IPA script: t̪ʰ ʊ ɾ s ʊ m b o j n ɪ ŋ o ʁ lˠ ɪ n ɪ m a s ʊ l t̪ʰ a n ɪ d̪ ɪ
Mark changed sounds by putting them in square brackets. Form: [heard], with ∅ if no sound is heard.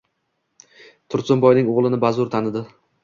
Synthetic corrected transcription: t̪ʰ ʊ ɾ s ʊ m b [ɒ] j n ɪ ŋ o ʁ lˠ ɪ n ɪ [b] a [z] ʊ [ɾ] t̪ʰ a n ɪ d̪ ɪ